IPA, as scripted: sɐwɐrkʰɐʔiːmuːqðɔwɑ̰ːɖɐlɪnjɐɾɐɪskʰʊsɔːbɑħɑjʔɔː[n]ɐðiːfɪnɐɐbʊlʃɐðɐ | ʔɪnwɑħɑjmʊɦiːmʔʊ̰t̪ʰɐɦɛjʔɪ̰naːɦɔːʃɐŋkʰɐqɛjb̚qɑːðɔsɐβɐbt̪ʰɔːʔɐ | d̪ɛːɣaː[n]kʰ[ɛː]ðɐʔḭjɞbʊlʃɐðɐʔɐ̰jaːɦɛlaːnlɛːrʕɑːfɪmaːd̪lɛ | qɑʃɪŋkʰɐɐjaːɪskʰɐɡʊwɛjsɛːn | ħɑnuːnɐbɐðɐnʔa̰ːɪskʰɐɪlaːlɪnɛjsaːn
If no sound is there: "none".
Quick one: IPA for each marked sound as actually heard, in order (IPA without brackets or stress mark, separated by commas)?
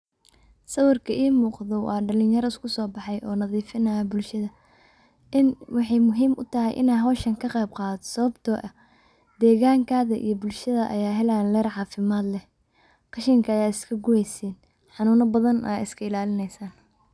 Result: n, ŋ, aː